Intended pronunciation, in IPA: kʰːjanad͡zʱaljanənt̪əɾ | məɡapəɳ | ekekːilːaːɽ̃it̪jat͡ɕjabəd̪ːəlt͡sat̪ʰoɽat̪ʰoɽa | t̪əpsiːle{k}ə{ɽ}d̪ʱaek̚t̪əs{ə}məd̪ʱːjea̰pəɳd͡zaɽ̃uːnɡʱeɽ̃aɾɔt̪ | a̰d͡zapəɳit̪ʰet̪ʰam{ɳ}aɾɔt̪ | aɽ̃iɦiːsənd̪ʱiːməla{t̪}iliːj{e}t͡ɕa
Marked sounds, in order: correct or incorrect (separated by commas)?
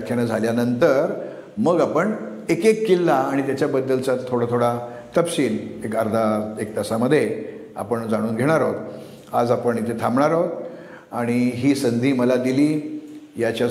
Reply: correct, incorrect, incorrect, correct, incorrect, incorrect